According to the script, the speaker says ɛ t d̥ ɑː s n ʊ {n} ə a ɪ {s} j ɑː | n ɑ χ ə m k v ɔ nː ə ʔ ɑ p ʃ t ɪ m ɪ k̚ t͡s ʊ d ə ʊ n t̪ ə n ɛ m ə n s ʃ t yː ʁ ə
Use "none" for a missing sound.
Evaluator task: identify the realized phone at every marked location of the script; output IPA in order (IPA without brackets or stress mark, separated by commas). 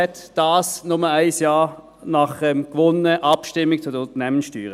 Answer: m, s